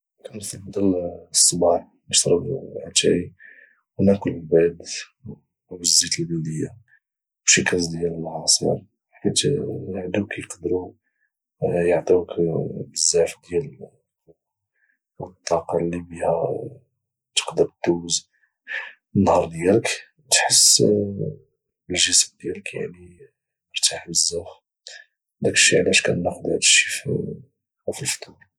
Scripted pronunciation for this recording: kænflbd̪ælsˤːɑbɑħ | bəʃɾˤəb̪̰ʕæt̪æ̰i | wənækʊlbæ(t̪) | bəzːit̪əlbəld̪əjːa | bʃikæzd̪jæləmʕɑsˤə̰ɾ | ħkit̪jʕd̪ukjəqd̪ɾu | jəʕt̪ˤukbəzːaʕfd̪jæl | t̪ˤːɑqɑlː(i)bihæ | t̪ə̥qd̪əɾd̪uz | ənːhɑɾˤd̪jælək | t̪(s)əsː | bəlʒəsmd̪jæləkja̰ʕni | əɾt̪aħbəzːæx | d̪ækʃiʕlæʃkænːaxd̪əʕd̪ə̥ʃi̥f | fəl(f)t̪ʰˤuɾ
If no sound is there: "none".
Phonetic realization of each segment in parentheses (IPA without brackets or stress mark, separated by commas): d̪, i, ħ, f